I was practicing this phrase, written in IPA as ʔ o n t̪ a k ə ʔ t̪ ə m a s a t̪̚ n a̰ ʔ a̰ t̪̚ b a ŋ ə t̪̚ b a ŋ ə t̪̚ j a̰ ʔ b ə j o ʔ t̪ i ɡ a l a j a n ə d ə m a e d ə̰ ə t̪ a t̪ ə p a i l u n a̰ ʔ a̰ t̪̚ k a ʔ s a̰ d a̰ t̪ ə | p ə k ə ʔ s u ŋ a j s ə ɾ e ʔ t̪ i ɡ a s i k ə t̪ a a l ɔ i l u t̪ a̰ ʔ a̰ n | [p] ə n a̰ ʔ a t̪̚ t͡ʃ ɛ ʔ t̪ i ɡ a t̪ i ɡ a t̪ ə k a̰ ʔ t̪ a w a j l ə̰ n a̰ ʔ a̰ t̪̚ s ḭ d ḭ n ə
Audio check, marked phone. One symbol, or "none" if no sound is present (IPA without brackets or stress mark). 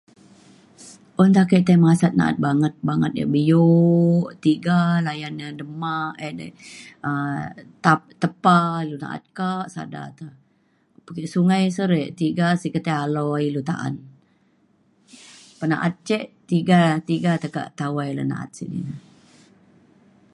p